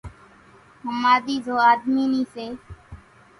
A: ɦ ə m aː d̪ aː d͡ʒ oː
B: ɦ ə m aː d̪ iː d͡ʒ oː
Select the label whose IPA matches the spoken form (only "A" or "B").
B